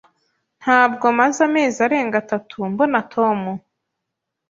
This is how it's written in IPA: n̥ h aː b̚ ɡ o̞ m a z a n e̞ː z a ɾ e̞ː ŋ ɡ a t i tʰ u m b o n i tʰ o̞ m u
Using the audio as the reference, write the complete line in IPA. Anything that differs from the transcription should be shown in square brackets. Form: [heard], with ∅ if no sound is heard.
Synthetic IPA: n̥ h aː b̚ ɡ o̞ m a z a [m] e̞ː z a ɾ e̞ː ŋ ɡ a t [a] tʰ u m b o n [a] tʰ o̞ m u

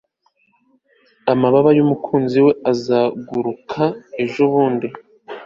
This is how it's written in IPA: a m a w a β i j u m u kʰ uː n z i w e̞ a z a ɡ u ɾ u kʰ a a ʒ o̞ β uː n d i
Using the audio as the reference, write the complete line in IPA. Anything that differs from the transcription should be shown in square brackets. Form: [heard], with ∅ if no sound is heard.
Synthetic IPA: a m a [β] a β [a] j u m u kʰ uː n z i w e̞ a z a ɡ u ɾ u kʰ a [e] ʒ o̞ β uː n d i

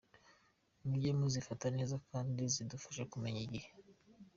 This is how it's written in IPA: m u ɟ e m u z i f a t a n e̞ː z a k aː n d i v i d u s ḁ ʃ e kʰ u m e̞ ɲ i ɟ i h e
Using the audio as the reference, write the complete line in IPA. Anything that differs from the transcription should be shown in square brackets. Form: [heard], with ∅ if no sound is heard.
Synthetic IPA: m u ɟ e m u z i f a t a n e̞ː z a k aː n d i [z] i d u [f] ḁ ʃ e [k] u m e̞ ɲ i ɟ i h e

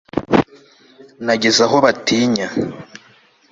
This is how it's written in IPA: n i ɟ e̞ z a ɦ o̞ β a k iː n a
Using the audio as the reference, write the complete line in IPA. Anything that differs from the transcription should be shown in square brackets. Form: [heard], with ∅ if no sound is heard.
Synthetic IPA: n [a] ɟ e̞ z a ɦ o̞ β a [t] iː [ɲ] a

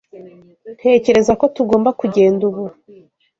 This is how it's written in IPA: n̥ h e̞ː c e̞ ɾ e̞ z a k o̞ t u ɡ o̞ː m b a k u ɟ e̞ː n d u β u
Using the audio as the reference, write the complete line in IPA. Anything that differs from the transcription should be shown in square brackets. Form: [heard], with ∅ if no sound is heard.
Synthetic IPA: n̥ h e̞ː c e̞ ɾ e̞ z a k o̞ t u ɡ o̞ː m b a k u ɟ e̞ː n d u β u

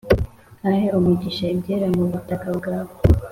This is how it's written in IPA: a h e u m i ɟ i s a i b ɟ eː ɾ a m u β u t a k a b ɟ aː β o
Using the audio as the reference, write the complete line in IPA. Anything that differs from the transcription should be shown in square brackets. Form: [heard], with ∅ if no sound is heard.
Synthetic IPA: a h e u m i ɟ i [ʃ] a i b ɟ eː ɾ a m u β u t a k a b [ɡ] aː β o

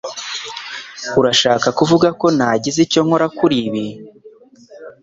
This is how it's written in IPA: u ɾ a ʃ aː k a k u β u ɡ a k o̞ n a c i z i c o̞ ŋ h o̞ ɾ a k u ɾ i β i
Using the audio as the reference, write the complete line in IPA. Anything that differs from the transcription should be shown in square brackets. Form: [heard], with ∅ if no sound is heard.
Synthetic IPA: u ɾ a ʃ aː k a k u [v] u ɡ a k o̞ n a [ɟ] i z i c o̞ ŋ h o̞ ɾ a k u ɾ i β i

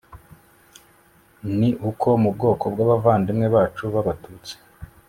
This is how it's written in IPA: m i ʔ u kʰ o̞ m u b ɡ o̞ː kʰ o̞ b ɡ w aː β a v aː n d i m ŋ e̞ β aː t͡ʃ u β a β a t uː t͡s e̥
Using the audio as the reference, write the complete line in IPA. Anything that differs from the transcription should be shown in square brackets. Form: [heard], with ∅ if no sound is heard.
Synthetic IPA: [n] i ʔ u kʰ o̞ m u b ɡ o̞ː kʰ o̞ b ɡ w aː β a v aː n d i m ŋ e̞ β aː t͡ʃ u β a β a t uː t͡s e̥

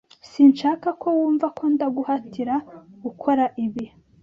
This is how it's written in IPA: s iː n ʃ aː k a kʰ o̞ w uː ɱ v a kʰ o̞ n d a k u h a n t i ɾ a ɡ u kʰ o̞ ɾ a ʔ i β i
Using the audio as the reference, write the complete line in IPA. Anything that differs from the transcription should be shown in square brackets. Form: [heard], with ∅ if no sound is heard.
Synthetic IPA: s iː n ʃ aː k a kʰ o̞ w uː ɱ v a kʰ o̞ n d a [ɡ] u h a [∅] t i ɾ a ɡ u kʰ o̞ ɾ a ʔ i β i

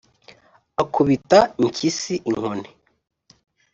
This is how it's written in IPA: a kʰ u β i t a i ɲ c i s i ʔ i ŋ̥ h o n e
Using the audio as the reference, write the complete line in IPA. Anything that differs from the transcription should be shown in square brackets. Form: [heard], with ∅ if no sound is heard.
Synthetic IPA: a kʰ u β i t a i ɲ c i s i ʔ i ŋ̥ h o n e

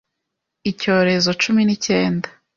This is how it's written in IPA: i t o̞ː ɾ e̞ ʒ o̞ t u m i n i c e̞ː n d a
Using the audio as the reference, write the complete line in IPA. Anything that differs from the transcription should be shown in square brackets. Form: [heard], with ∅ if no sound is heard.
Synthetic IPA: i [c] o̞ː ɾ e̞ [z] o̞ [t͡ʃ] u m i n i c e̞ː n d a

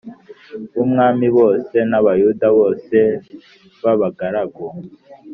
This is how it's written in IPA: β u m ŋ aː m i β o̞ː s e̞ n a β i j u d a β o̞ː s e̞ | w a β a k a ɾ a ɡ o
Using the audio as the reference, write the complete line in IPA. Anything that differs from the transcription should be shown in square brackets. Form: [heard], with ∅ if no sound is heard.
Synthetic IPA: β u m ŋ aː m i β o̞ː s e̞ n a β [a] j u d a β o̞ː s e̞ | [β] a β a [ɡ] a ɾ a ɡ o

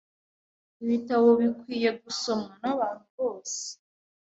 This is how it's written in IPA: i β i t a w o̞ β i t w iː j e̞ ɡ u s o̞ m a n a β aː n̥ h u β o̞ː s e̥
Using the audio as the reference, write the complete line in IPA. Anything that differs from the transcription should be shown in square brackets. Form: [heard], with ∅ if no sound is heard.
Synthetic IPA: i β i t a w o̞ β i [k] w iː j e̞ ɡ u s o̞ m a n a β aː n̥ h u β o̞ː s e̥

